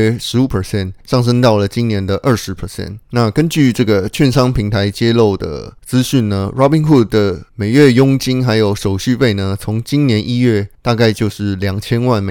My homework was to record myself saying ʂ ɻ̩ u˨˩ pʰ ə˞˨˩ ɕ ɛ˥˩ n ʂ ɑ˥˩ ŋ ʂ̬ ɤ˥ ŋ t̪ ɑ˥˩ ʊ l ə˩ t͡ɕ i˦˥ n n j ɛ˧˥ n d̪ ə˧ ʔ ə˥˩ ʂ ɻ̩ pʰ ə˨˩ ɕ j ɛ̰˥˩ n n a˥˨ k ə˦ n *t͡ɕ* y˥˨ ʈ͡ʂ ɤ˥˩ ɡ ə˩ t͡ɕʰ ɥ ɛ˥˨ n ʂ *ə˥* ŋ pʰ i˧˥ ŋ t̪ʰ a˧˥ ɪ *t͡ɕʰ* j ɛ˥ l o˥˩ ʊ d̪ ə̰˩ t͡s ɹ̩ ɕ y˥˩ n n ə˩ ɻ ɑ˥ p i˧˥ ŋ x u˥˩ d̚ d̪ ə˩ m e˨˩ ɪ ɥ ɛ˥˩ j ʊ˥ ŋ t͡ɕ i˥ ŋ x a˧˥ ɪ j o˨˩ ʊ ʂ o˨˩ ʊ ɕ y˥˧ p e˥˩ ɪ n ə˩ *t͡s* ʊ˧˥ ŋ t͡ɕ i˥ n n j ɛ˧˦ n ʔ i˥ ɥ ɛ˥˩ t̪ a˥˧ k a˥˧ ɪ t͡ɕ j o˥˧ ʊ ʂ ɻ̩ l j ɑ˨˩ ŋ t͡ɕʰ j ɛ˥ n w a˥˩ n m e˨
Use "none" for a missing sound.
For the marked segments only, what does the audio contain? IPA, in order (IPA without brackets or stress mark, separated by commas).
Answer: t͡ɕ, ɑ˥, t͡ɕ, t͡sʰ